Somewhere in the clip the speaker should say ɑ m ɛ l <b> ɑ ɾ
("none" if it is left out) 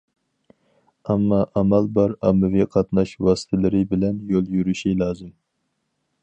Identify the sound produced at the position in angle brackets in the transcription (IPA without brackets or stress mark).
b